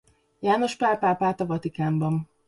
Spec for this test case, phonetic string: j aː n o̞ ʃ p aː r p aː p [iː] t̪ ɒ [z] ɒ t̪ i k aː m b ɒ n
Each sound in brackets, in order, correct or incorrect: incorrect: aː, incorrect: v

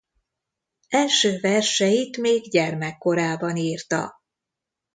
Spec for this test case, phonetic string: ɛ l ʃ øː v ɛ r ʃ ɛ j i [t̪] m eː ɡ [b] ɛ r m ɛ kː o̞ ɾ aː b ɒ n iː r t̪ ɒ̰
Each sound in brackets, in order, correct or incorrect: correct, incorrect: ɟ

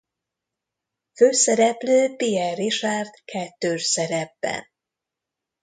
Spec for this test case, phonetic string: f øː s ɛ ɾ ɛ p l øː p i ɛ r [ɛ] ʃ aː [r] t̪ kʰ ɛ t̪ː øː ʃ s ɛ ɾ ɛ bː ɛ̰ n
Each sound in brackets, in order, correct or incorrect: incorrect: i, correct

